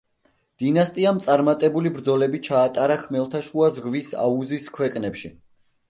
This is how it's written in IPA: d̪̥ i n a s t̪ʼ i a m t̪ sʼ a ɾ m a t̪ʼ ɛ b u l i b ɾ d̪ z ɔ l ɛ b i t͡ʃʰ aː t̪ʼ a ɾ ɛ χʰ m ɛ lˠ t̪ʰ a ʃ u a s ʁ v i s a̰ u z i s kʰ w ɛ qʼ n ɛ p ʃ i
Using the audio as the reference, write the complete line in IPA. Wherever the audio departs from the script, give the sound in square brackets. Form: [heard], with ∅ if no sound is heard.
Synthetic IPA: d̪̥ i n a s t̪ʼ i a m t̪ sʼ a ɾ m a t̪ʼ ɛ b u l i b ɾ d̪ z ɔ l ɛ b i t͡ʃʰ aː t̪ʼ a ɾ [a] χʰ m ɛ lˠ t̪ʰ a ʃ u a [z] ʁ v i s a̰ u z i s kʰ w ɛ [kʼ] n ɛ p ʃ i

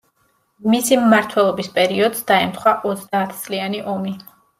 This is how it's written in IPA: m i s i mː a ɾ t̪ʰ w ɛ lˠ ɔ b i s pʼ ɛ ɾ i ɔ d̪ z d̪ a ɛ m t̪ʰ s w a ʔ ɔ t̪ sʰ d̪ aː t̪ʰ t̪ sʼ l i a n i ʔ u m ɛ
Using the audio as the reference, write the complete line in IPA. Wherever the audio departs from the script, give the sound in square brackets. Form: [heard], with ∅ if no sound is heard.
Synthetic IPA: m i s i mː a ɾ t̪ʰ w ɛ lˠ ɔ b i s pʼ ɛ ɾ i ɔ d̪ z d̪ a ɛ m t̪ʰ [χ] w a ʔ ɔ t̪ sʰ d̪ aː t̪ʰ t̪ sʼ l i a n i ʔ [ɔ] m [i]

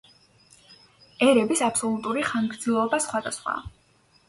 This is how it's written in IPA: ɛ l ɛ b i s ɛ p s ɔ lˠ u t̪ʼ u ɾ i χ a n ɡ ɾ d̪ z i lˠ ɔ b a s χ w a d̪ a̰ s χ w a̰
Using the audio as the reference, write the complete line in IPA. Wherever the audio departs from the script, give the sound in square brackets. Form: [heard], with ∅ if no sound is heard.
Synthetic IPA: ɛ [ɾ] ɛ b i s [a] p s ɔ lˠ u t̪ʼ u ɾ i χ a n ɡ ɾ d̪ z i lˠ ɔ b a s χ w a d̪ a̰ s χ w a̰

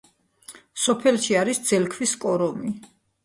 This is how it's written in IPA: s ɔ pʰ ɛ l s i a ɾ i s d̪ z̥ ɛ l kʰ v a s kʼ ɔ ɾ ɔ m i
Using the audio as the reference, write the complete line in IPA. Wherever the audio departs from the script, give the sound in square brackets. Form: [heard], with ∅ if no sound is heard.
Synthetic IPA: s ɔ pʰ ɛ l [ʃ] i a ɾ i s d̪ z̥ ɛ l kʰ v [i] s kʼ ɔ ɾ ɔ m i

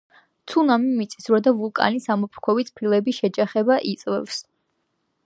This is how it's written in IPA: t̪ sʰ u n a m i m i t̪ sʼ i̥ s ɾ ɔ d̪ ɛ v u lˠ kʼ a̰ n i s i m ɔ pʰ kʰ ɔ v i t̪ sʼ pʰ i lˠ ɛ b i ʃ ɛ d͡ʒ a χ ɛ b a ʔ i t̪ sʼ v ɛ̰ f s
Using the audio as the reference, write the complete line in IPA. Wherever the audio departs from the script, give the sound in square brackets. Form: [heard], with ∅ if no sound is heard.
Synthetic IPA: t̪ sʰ u n a m i m i t̪ sʼ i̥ s ɾ ɔ d̪ [a] v u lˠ kʼ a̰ n i s [a] m ɔ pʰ kʰ ɔ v i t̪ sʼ pʰ i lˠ ɛ b i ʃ ɛ d͡ʒ a χ ɛ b a ʔ i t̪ sʼ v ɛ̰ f s

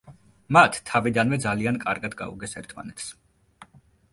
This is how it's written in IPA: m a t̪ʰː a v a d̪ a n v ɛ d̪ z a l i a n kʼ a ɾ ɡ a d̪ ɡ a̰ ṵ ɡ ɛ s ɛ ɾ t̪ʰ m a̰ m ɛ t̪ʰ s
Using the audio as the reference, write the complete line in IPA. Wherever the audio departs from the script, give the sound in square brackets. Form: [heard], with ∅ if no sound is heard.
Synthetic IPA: m a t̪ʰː a v [i] d̪ a n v ɛ d̪ z a l i a n kʼ a ɾ ɡ a d̪ ɡ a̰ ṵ ɡ ɛ s ɛ ɾ t̪ʰ m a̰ [n] ɛ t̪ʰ s

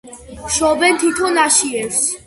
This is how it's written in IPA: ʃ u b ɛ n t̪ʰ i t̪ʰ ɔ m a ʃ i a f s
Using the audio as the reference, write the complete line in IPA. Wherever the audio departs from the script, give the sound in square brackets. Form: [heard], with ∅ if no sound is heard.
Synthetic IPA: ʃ [ɔ] b ɛ n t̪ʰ i t̪ʰ ɔ [n] a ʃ i [ɛ] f s

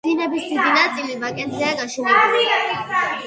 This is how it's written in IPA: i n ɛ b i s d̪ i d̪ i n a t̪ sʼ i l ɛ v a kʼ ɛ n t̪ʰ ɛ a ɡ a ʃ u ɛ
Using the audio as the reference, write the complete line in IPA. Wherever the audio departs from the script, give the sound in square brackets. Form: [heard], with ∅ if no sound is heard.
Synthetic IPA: i n ɛ b i s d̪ i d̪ i n a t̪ sʼ i l [i] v a kʼ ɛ n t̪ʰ ɛ a ɡ a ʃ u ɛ

